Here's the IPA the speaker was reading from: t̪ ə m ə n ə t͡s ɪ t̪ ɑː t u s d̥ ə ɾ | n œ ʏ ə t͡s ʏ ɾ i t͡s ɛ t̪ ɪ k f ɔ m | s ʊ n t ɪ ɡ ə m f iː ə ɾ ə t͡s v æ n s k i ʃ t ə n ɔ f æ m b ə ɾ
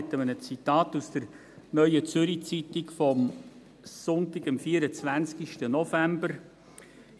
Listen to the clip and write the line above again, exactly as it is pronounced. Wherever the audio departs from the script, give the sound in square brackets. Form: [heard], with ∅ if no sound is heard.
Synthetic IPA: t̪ ə m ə n ə t͡s [i] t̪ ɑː t u s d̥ ə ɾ | n œ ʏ ə t͡s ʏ ɾ i t͡s [i] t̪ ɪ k f ɔ m | s ʊ n t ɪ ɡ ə m f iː ə ɾ ə t͡s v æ n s k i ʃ t ə n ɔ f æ m b ə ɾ